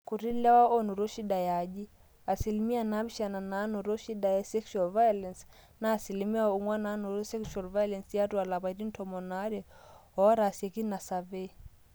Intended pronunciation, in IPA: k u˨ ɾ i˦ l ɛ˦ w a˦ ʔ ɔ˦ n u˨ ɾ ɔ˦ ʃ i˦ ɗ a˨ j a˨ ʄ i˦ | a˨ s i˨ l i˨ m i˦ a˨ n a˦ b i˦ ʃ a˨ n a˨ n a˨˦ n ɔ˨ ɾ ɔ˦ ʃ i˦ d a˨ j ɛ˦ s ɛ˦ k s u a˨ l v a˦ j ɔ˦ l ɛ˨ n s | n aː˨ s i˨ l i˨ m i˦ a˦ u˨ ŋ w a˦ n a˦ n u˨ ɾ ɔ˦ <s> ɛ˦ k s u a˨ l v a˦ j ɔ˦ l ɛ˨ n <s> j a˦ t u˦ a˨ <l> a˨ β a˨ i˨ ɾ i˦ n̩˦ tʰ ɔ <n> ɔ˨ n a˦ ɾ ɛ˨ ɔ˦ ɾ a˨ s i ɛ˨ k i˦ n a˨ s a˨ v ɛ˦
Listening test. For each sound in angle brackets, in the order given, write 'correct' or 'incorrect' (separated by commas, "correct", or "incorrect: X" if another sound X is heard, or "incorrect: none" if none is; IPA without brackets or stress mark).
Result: correct, correct, correct, incorrect: m